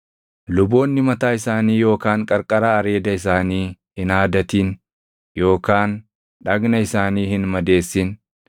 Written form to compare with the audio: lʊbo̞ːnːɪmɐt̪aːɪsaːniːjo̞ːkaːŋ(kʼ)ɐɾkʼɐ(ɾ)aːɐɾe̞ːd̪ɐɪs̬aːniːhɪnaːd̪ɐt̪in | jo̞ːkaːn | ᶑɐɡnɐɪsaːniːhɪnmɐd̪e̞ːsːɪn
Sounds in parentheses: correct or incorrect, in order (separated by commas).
correct, correct